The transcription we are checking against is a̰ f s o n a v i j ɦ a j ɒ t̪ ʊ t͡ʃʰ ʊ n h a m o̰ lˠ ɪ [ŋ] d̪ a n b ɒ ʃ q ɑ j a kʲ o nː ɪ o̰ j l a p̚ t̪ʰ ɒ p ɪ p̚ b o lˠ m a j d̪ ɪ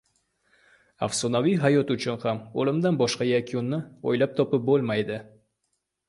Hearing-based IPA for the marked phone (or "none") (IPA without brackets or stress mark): m